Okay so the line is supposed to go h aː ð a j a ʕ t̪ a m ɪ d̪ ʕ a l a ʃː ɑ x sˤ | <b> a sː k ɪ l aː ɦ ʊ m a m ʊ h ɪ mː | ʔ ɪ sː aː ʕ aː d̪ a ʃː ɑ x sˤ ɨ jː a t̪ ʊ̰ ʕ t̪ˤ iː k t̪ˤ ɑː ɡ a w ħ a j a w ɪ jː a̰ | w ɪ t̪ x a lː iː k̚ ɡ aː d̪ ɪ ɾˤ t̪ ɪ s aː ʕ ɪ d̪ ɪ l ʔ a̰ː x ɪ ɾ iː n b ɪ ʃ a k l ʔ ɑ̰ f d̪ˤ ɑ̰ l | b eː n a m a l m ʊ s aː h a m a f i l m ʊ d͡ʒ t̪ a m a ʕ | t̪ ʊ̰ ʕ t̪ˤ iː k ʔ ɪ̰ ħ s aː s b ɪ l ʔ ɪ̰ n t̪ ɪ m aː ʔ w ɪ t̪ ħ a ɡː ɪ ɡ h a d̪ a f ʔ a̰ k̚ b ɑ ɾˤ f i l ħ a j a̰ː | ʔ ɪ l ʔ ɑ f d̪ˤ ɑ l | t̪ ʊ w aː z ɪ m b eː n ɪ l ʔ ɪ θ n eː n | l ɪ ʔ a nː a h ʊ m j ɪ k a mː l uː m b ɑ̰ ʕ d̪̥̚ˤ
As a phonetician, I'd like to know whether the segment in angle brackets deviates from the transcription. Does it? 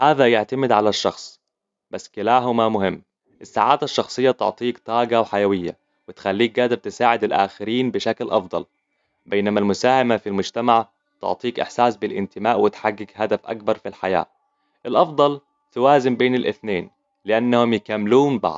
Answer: no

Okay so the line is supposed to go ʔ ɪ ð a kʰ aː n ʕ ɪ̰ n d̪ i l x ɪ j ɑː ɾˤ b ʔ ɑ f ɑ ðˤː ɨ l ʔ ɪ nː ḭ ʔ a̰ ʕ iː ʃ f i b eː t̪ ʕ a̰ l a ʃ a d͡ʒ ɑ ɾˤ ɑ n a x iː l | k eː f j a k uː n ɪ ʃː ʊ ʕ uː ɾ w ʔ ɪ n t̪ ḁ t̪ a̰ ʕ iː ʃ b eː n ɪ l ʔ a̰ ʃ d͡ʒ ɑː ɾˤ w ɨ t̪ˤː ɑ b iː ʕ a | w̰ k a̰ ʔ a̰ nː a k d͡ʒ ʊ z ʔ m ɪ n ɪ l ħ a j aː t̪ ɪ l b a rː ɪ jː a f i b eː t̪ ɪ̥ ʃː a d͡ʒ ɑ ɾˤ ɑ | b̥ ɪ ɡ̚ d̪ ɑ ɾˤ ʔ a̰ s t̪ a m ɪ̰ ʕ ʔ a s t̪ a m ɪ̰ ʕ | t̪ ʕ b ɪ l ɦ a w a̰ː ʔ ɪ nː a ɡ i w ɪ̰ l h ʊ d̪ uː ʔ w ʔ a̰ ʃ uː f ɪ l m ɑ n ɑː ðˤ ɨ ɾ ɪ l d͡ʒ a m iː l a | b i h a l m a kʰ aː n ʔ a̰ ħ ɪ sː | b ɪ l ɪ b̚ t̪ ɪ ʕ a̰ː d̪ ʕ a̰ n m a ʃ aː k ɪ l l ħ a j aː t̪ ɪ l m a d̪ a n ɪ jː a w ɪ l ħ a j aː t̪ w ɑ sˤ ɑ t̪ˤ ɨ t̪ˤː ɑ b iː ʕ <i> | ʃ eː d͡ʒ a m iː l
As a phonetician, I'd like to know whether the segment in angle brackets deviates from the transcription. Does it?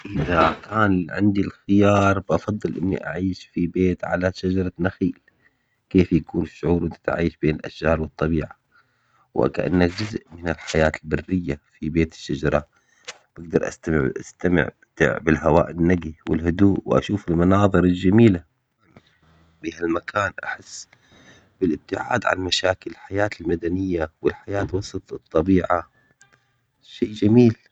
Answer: yes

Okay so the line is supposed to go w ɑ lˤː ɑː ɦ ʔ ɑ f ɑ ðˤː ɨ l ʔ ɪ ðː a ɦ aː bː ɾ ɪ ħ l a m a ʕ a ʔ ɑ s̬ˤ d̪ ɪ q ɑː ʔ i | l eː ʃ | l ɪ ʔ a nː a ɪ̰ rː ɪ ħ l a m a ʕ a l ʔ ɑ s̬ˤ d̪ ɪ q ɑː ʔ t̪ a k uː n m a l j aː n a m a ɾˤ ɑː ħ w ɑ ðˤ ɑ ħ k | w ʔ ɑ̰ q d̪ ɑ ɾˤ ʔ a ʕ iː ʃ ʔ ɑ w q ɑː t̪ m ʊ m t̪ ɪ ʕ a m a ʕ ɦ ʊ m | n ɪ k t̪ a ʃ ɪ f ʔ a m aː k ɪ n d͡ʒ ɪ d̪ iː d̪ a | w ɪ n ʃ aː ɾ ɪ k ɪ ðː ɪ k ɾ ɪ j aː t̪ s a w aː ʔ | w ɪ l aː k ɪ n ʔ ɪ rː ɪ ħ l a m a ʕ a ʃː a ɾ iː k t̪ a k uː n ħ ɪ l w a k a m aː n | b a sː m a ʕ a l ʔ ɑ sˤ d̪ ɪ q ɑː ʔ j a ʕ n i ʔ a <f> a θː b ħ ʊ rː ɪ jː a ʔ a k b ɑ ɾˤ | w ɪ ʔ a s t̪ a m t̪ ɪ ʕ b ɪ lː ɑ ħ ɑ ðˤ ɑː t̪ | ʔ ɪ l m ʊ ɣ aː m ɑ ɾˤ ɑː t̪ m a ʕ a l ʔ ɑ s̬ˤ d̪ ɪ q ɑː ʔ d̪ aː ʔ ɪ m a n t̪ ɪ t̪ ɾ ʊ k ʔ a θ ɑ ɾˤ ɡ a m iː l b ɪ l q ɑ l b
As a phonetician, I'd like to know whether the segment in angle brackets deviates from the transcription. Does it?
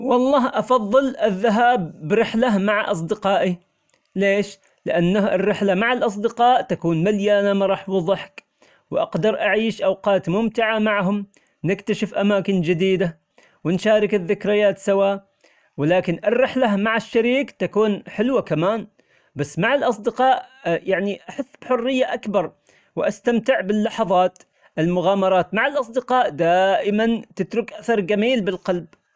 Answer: yes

